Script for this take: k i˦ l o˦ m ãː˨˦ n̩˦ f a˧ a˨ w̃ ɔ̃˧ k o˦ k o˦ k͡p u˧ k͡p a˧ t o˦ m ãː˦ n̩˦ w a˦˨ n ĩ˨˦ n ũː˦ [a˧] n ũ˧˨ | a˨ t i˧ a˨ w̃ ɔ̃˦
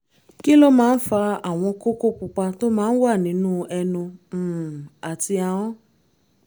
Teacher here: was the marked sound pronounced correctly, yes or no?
no